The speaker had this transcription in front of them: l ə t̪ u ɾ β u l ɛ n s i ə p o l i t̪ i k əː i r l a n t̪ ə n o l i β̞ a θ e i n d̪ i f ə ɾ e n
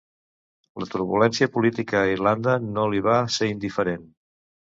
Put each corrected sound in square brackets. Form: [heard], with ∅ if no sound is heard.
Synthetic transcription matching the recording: l ə t̪ u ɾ β u l ɛ n s i ə p [u] l i t̪ i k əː i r l a n [d̪] ə n o l i β̞ a [s] e i n d̪ i f ə ɾ e n